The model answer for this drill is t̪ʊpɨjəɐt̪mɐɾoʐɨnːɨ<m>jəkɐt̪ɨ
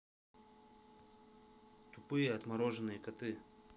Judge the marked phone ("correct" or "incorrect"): incorrect